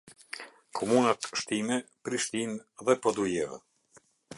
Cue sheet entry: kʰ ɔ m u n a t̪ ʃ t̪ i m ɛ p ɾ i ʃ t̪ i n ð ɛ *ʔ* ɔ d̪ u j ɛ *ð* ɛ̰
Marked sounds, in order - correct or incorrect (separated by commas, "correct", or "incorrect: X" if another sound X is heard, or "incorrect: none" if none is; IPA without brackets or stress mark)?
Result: incorrect: p, incorrect: v